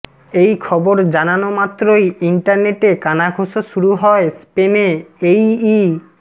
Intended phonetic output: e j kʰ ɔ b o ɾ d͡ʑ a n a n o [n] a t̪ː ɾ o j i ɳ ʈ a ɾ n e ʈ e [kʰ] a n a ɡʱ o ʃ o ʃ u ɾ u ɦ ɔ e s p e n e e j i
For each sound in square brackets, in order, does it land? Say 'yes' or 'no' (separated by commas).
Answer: no, no